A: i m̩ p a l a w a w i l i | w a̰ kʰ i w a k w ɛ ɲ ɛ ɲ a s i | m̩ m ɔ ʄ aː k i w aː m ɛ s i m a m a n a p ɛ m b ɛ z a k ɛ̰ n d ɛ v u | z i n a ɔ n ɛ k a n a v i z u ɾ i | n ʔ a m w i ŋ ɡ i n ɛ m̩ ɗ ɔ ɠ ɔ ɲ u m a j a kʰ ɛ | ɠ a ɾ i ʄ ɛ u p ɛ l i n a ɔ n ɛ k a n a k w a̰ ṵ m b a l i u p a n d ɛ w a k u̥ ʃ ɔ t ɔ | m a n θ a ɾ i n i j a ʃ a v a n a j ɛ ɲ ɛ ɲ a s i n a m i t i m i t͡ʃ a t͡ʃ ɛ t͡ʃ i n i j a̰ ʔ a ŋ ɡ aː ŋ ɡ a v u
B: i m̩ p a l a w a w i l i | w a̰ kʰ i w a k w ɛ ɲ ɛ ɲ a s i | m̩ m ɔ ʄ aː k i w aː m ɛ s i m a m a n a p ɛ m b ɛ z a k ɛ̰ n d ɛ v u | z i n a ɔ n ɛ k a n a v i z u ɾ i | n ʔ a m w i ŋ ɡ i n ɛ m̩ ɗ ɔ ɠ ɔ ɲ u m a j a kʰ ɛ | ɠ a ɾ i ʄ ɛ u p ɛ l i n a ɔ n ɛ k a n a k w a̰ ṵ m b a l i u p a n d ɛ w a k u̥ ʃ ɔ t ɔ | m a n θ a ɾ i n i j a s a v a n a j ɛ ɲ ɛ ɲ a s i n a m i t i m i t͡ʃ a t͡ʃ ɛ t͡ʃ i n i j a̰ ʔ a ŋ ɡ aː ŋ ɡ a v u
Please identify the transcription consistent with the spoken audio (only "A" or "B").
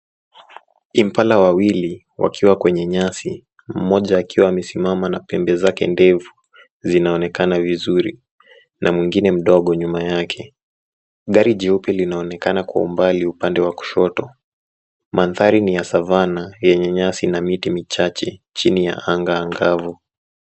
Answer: B